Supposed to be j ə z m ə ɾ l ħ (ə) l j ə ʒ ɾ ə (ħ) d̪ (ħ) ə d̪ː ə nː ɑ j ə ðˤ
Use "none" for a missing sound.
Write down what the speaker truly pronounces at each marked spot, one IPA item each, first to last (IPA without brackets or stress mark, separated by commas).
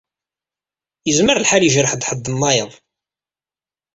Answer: a, ħ, ħ